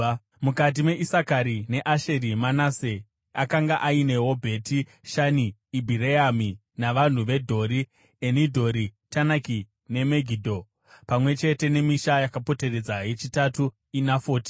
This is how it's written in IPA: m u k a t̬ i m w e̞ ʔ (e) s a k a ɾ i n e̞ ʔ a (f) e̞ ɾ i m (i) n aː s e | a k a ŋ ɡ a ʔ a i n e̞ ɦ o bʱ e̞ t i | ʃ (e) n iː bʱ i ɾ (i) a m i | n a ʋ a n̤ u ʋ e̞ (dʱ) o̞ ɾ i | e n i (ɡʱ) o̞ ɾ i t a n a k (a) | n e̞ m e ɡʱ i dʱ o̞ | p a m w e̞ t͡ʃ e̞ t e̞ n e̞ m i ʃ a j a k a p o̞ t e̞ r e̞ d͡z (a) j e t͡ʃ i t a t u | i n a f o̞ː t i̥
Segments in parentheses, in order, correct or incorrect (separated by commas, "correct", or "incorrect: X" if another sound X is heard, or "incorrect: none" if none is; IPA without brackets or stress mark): incorrect: i, incorrect: ʃ, incorrect: a, incorrect: a, incorrect: e, correct, incorrect: dʱ, incorrect: i, correct